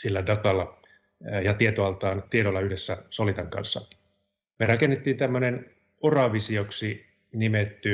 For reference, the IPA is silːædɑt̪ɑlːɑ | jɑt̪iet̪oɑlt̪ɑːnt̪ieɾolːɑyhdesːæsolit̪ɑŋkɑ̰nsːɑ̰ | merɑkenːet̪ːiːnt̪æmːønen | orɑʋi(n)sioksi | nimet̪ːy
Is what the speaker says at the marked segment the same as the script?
no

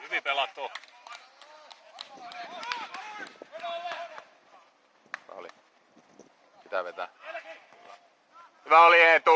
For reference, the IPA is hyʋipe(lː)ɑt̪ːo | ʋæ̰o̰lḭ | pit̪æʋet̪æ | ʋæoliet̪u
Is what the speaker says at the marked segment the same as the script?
no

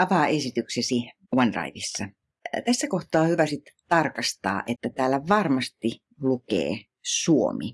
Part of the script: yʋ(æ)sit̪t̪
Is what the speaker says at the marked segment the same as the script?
yes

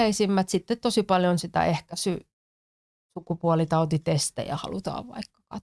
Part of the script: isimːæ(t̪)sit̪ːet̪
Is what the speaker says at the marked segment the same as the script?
yes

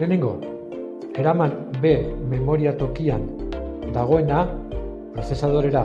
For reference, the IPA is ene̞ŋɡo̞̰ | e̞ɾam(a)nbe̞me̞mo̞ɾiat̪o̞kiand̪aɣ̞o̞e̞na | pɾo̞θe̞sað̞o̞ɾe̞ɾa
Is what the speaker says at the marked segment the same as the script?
yes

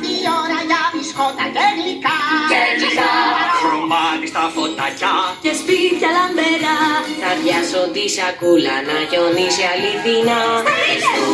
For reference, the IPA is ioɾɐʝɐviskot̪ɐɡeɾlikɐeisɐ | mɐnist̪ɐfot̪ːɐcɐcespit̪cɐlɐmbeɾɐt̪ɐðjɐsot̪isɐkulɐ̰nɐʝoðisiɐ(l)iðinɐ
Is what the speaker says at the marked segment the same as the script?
yes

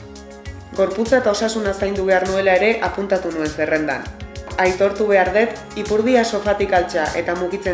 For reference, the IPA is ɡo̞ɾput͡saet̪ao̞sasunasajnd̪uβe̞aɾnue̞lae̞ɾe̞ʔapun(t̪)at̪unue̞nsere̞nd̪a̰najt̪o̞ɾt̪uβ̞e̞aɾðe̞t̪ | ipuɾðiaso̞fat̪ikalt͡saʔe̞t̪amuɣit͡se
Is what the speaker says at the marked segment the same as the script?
yes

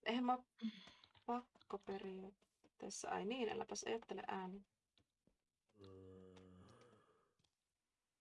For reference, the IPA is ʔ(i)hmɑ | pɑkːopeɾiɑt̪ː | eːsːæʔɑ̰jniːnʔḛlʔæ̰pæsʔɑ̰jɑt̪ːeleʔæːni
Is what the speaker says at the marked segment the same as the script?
no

